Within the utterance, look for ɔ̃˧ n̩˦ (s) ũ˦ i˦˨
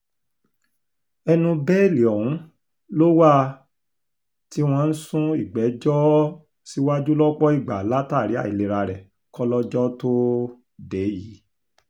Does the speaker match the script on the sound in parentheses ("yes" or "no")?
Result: yes